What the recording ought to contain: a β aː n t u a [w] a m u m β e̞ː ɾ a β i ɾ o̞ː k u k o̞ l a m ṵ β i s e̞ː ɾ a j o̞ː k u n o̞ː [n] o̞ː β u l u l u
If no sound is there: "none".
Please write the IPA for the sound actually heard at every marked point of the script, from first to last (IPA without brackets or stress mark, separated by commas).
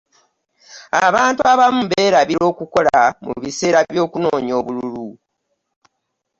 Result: β, ɲ